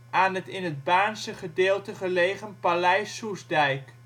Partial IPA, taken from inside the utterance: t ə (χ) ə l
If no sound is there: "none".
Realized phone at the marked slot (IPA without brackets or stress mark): χ